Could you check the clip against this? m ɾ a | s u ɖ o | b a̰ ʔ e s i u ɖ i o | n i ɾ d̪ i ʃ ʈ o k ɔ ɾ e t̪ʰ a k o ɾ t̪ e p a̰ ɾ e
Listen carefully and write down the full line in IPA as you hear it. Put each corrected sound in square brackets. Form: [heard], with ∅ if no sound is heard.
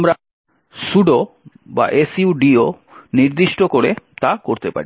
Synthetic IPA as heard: m ɾ a | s u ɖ o | b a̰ ʔ e s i u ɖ i o | n i ɾ d̪ i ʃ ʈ o k [o] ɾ e [t̪] a k o ɾ t̪ e p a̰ ɾ [i]

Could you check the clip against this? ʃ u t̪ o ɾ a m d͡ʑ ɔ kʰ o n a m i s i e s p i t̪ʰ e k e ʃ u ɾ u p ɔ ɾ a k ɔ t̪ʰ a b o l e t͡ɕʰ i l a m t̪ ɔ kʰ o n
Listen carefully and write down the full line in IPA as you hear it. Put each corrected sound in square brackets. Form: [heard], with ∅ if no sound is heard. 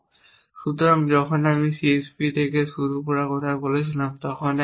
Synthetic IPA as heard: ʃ u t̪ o ɾ a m d͡ʑ ɔ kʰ o n a m i s i e s p i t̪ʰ e k e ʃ u ɾ u p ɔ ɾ a k ɔ t̪ʰ a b o l e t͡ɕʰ i l a m t̪ ɔ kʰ o n

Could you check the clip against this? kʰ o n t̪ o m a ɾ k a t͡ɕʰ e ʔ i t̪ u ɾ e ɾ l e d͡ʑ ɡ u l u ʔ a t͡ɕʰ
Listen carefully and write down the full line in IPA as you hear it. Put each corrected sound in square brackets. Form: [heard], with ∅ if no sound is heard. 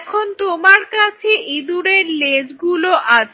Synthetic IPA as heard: kʰ o n t̪ o m a ɾ k a t͡ɕʰ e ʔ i [d̪] u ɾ e ɾ l e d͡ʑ ɡ u l [o] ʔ a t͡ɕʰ

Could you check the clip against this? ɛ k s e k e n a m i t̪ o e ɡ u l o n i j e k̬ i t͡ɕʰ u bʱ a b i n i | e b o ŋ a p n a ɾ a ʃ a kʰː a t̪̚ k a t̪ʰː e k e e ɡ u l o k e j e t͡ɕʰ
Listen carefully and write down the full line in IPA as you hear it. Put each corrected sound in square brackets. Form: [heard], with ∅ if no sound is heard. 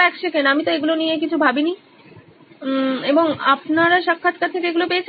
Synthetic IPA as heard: ɛ k [ʃ] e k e n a m i t̪ o e ɡ u l o n i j e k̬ i t͡ɕʰ u bʱ a b i n i | e b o ŋ a p n a ɾ a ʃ a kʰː a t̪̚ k a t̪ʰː e k e e ɡ u l o [p] e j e t͡ɕʰ

